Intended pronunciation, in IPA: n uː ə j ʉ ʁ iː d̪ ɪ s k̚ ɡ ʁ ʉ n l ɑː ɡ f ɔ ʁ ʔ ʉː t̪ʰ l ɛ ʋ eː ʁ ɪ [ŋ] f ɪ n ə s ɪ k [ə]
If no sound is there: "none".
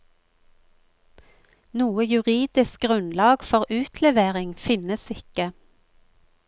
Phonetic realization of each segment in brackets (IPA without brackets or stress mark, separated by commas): ŋ, ə